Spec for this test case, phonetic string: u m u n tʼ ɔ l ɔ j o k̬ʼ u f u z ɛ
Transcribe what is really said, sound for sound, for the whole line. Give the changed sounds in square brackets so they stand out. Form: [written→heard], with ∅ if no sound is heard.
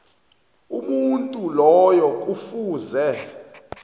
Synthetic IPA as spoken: u m u n tʼ [ɔ→u] l ɔ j [o→ɔ] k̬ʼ u f [u→uː] z ɛ